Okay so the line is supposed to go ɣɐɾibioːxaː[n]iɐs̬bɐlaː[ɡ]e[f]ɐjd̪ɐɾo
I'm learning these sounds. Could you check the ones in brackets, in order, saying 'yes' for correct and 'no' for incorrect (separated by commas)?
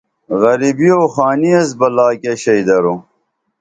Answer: yes, no, no